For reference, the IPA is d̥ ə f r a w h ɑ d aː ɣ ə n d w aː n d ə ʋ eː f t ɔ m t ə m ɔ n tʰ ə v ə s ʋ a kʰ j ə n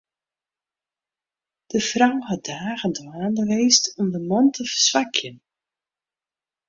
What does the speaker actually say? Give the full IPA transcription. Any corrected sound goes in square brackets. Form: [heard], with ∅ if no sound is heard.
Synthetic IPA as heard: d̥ ə f r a w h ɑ d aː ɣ ə n d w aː n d ə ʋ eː [s] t ɔ m [d] ə m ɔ n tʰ ə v ə s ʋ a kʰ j ə n